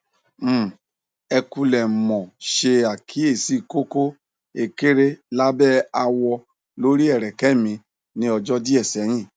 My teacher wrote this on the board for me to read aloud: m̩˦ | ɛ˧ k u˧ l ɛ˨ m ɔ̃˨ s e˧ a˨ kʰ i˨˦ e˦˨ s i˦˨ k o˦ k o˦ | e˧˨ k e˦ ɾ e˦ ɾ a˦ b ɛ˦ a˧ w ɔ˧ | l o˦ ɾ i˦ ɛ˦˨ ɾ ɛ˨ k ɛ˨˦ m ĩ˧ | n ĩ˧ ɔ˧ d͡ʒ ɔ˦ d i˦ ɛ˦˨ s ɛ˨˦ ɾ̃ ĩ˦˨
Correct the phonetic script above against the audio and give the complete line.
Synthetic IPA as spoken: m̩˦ | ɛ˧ k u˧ l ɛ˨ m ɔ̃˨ ʃ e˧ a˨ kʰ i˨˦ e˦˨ s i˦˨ k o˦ k o˦ | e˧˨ k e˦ ɾ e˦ l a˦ b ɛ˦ a˧ w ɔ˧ | l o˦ ɾ i˦ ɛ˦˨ ɾ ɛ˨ k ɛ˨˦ m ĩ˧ | n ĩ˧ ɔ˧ d͡ʒ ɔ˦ d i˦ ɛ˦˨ s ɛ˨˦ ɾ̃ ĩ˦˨